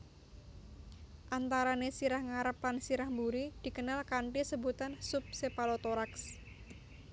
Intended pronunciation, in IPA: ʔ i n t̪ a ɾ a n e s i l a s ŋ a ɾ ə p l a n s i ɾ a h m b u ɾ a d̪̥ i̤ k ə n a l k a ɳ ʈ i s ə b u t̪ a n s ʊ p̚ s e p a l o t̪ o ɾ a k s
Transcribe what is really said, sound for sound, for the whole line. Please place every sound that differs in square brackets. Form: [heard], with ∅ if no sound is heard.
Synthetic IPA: ʔ [a] n t̪ a ɾ a n e s i [ɾ] a [h] ŋ a ɾ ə p l a n s i ɾ a h m b u ɾ [i] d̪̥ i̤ k ə n a l k a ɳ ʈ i s ə b u t̪ a n s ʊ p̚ s e p a l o t̪ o ɾ a k s